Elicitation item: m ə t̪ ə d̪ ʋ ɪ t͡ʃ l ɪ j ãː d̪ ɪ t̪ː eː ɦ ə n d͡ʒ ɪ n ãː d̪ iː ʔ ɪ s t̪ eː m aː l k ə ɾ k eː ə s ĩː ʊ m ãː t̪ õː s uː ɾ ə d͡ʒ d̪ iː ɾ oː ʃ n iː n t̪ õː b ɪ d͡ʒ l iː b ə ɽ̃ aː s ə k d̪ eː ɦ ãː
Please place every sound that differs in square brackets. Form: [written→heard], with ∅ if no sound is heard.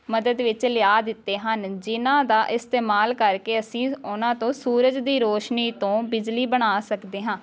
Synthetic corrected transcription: m ə [t̪→d̪] ə d̪ ʋ ɪ t͡ʃ l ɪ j [ãː→aː] d̪ ɪ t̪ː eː ɦ ə n d͡ʒ ɪ n ãː d̪ [iː→aː] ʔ ɪ s t̪ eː m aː l k ə ɾ k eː ə s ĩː ʊ [m→n] ãː t̪ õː s uː ɾ ə d͡ʒ d̪ iː ɾ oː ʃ n iː [n→∅] t̪ õː b ɪ d͡ʒ l iː b ə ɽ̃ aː s ə k d̪ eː ɦ ãː